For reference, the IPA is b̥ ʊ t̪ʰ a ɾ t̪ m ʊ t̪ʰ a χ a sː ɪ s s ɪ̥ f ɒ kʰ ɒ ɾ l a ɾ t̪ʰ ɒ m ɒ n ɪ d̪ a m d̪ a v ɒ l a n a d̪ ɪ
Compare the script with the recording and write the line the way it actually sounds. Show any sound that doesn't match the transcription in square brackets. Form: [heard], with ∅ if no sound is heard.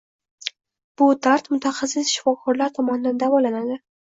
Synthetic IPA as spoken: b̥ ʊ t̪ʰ a ɾ t̪ m ʊ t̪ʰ a χ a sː ɪ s [ʃ] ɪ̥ f ɒ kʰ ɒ ɾ l a ɾ t̪ʰ ɒ m ɒ n ɪ d̪ a [n] d̪ a v ɒ l a n a d̪ ɪ